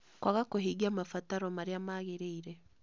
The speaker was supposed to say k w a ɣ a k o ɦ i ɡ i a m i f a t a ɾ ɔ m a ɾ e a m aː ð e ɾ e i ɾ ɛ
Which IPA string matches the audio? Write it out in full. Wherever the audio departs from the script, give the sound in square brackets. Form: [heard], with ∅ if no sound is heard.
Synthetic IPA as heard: k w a ɣ a k o ɦ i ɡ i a m [a] f a t a ɾ ɔ m a ɾ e a m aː [ɣ] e ɾ e i ɾ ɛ